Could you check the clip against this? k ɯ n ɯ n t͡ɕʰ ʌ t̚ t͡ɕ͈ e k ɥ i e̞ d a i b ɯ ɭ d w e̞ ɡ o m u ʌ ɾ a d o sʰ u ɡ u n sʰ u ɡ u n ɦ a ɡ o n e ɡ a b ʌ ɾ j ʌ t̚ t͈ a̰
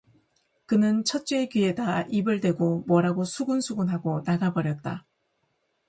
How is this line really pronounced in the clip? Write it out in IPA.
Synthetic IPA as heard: k ɯ n ɯ n t͡ɕʰ ʌ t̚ t͡ɕ͈ e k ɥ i e̞ d a i b ɯ ɭ d w e̞ ɡ o m w ʌ ɾ a ɡ o sʰ u ɡ u n sʰ u ɡ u n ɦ a ɡ o n a ɡ a b ʌ ɾ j ʌ t̚ t͈ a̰

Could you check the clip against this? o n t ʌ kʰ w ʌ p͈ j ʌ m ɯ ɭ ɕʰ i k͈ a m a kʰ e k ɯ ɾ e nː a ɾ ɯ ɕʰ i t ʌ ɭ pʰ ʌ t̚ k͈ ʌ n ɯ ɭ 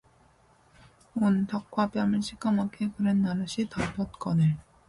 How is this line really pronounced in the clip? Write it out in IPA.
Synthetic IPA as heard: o n t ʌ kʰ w a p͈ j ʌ m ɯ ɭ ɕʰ i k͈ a m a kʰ e k ɯ ɾ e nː a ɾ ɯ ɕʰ i t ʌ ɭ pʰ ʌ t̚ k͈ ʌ n ɯ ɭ

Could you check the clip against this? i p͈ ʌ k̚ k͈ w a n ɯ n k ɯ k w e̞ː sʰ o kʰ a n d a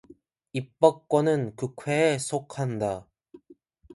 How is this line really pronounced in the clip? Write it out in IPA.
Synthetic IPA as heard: i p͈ ʌ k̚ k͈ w ʌ n ɯ n k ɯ kʰ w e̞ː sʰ o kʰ a n d a

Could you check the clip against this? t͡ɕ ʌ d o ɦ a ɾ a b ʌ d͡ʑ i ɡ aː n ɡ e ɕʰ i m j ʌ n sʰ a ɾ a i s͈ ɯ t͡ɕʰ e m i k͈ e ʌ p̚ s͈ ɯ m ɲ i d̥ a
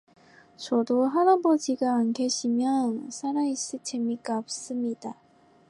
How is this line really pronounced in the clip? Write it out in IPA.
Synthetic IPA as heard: t͡ɕ ʌ d o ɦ a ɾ a b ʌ d͡ʑ i ɡ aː n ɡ e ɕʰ i m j ʌ n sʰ a ɾ a i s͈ ɯ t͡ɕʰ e m i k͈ a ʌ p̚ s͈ ɯ m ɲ i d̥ a

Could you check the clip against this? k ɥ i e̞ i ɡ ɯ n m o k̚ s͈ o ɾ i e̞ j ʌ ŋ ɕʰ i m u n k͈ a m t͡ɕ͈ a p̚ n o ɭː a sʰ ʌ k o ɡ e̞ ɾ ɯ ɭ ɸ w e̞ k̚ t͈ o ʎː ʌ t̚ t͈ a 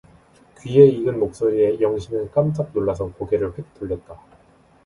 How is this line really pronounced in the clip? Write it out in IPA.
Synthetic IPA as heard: k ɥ i e̞ i ɡ ɯ n m o k̚ s͈ o ɾ i e̞ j ʌ ŋ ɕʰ i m ɯ n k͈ a m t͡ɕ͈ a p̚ n o ɭː a sʰ ʌ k o ɡ e̞ ɾ ɯ ɭ ɸ w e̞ k̚ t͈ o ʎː ʌ t̚ t͈ a

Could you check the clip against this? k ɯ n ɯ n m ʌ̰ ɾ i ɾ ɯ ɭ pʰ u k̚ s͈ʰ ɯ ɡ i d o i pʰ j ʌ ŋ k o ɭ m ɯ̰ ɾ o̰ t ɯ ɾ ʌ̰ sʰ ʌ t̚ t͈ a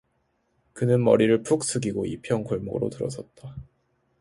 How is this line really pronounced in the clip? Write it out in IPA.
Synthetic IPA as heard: k ɯ n ɯ n m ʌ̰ ɾ i ɾ ɯ ɭ pʰ u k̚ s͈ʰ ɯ ɡ i ɡ o i pʰ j ʌ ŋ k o ɭ m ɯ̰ ɾ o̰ t ɯ ɾ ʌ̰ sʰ ʌ t̚ t͈ a

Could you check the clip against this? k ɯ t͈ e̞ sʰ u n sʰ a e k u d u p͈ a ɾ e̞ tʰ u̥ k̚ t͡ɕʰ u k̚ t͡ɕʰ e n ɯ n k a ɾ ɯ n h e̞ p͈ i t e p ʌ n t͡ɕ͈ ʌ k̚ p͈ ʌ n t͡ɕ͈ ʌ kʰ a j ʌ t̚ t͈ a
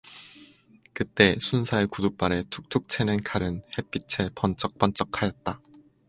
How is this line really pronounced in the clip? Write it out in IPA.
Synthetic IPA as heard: k ɯ t͈ e̞ sʰ u n sʰ a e k u d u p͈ a ɾ e̞ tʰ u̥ k̚ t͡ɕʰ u k̚ t͡ɕʰ e n ɯ n k a ɾ ɯ n h e̞ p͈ i t͡ɕʰ e p ʌ n t͡ɕ͈ ʌ k̚ p͈ ʌ n t͡ɕ͈ ʌ kʰ a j ʌ t̚ t͈ a

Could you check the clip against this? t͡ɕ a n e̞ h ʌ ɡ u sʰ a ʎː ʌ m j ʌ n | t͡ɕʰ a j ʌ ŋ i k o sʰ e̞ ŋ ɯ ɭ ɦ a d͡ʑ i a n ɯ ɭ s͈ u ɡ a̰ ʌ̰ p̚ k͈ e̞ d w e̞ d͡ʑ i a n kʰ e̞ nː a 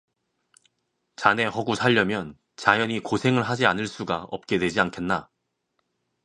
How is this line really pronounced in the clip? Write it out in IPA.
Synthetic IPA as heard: t͡ɕ a n e̞ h ʌ ɡ u sʰ a ʎː ʌ m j ʌ n | t͡ɕ a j ʌ ɲ i k o sʰ e̞ ŋ ɯ ɭ ɦ a d͡ʑ i a n ɯ ɭ s͈ u ɡ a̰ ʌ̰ p̚ k͈ e̞ d w e̞ d͡ʑ i a n kʰ e̞ nː a

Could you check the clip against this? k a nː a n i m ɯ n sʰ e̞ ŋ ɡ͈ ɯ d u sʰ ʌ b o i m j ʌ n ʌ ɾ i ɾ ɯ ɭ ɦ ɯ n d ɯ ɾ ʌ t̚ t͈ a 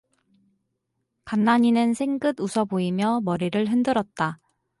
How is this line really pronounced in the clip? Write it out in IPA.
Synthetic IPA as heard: k a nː a ɲ i n ɯ n sʰ e̞ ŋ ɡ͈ ɯ d u sʰ ʌ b o i m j ʌ m ʌ ɾ i ɾ ɯ ɭ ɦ ɯ n d ɯ ɾ ʌ t̚ t͈ a

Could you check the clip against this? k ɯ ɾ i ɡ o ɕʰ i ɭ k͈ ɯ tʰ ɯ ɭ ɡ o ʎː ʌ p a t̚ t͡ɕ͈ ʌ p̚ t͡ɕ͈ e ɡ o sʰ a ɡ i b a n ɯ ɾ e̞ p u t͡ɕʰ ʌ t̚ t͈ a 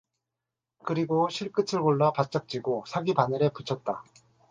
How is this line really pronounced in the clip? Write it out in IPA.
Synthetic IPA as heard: k ɯ ɾ i ɡ o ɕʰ i ɭ k͈ ɯ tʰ ɯ ɭ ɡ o ɭː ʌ p a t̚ t͡ɕ͈ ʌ k̚ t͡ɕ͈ i ɡ o sʰ a ɡ i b a n ɯ ɾ e̞ p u t͡ɕʰ ʌ t̚ t͈ a

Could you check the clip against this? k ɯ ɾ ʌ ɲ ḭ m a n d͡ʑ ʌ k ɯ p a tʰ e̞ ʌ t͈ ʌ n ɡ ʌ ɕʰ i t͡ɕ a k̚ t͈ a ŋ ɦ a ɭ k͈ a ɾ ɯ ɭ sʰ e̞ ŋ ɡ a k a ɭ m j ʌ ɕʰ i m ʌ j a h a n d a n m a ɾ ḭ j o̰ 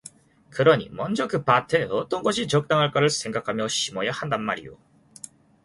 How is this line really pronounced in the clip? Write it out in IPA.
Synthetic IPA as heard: k ɯ ɾ ʌ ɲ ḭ m ʌ n d͡ʑ ʌ k ɯ p a tʰ e̞ ʌ t͈ ʌ n ɡ ʌ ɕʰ i t͡ɕ ʌ k̚ t͈ a ŋ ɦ a ɭ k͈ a ɾ ɯ ɭ sʰ e̞ ŋ ɡ a kʰ a m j ʌ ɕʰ i m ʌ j a h a n d a n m a ɾ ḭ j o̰

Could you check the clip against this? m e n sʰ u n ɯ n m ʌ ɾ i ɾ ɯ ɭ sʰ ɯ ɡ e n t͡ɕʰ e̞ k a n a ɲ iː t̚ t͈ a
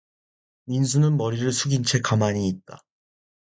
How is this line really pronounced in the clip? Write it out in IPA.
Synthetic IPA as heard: m i n sʰ u n ɯ n m ʌ ɾ i ɾ ɯ ɭ sʰ u ɡ i n t͡ɕʰ e̞ k a m a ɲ iː t̚ t͈ a

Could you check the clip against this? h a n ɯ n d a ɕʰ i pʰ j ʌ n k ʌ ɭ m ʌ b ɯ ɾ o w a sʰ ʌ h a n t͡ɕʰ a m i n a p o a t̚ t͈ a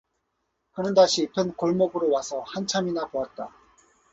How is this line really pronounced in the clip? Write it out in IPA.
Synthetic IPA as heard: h a n ɯ n d a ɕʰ i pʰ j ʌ n k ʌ ɭ m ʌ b ɯ ɾ o w a sʰ ʌ h a n t͡ɕʰ a m i n a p o a t̚ t͈ a

